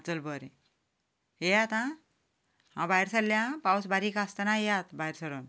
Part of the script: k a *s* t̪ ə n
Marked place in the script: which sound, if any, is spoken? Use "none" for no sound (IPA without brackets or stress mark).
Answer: s